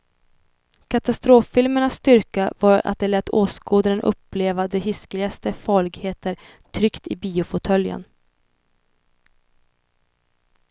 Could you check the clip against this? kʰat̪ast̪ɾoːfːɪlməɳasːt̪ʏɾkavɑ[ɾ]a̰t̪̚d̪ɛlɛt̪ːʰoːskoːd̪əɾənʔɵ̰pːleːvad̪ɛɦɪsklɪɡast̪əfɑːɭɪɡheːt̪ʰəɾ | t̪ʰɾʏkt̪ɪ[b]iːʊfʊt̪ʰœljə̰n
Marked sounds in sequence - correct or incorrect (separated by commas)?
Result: correct, correct